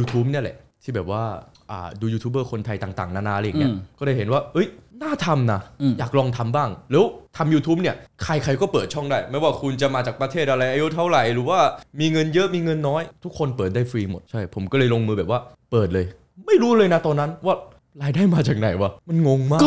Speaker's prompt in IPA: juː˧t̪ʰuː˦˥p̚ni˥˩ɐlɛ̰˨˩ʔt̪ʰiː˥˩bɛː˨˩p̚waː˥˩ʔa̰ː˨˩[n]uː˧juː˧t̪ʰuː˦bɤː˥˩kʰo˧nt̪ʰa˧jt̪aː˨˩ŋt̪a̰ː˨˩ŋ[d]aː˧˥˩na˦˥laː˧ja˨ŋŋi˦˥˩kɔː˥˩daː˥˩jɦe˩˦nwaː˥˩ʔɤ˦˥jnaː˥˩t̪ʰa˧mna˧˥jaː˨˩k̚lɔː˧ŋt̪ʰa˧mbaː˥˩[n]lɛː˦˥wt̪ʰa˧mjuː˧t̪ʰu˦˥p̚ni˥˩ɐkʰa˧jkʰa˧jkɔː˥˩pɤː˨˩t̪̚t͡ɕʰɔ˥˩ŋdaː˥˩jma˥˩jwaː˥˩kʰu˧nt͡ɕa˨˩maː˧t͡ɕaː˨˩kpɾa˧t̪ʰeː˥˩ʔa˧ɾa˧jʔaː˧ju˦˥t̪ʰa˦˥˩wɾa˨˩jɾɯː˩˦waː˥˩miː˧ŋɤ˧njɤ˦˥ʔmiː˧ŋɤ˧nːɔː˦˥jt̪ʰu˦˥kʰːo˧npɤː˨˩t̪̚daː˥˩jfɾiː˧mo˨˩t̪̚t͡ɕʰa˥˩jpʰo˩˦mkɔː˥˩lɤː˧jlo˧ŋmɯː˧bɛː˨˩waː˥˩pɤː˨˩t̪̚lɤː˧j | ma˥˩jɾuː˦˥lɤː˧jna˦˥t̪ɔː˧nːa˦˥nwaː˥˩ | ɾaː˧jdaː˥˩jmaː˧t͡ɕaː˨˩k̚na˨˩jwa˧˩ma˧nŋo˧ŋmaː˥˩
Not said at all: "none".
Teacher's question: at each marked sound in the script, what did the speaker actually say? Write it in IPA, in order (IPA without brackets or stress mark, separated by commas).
d, n, ŋ